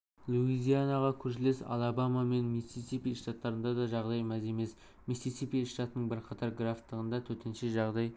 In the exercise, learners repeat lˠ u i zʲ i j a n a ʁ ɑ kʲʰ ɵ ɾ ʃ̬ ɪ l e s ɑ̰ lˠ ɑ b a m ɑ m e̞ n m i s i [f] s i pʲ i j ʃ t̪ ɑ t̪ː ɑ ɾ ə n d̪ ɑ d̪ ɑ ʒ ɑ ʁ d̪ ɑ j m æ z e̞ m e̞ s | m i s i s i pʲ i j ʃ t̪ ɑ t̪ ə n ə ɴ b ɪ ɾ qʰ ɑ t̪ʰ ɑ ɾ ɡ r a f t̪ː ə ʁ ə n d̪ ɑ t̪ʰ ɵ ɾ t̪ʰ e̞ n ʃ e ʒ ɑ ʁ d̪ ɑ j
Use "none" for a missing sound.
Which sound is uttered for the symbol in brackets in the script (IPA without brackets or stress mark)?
none